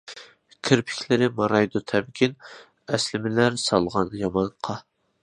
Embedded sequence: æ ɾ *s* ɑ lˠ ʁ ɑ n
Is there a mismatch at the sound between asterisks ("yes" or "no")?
no